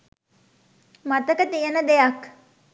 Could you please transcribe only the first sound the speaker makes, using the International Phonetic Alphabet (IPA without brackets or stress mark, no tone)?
m